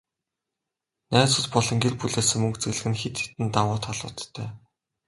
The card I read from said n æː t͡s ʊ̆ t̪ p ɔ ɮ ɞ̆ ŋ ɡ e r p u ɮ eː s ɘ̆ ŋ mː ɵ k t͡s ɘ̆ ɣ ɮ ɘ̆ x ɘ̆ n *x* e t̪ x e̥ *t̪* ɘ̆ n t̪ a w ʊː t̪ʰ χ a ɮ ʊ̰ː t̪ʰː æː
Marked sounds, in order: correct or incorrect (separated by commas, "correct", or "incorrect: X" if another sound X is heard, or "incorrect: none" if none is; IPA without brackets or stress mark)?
correct, correct